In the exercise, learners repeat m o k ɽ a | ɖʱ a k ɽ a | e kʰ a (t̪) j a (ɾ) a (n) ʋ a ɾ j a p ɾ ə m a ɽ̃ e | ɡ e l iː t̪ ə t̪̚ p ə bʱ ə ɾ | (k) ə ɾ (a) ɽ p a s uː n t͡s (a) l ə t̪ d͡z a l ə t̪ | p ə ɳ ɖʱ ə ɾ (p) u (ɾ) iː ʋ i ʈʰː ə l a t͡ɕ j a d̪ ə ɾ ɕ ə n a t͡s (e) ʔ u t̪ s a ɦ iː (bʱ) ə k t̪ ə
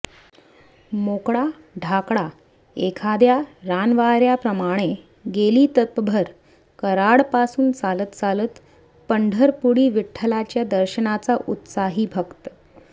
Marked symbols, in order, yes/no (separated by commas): no, yes, yes, yes, yes, yes, yes, no, no, yes